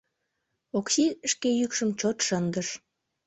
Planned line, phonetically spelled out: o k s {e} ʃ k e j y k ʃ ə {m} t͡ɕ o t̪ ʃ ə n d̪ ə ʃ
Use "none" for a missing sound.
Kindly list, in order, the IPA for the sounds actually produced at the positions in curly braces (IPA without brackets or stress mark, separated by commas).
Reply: i, m